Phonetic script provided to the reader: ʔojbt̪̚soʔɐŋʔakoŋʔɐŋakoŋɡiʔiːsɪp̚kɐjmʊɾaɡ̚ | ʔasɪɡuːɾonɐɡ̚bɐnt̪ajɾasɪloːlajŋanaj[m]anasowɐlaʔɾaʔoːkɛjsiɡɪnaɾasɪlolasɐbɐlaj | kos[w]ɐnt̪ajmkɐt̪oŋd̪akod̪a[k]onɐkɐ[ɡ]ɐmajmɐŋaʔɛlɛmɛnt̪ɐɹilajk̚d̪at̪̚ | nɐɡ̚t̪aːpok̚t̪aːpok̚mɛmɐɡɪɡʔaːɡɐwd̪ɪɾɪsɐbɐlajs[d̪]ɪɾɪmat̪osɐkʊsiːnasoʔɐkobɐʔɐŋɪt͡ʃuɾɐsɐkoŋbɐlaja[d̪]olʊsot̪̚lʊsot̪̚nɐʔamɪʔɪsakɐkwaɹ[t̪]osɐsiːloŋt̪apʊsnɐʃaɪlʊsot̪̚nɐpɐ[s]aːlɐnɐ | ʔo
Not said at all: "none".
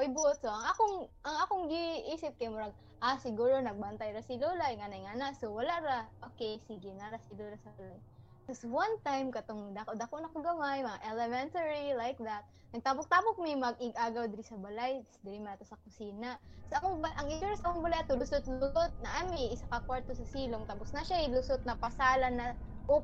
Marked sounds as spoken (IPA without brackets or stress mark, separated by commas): ŋ, w, k, ɡ, d̪, t̪, t̪, s